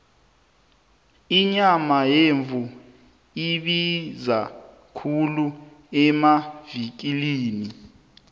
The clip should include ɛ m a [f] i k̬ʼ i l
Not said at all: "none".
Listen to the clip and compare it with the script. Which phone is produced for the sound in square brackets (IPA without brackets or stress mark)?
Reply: v